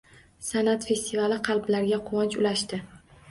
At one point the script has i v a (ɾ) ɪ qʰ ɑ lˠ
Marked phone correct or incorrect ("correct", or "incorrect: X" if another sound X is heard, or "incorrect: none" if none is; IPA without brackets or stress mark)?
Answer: incorrect: l